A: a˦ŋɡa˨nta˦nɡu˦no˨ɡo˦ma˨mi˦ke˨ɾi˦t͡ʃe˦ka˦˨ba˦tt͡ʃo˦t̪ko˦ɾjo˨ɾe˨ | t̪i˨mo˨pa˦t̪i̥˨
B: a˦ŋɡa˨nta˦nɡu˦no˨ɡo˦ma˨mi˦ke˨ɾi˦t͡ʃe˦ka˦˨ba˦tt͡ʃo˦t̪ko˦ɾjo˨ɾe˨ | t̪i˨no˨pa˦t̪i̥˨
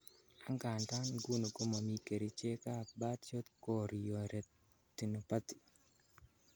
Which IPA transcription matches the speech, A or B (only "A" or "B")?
B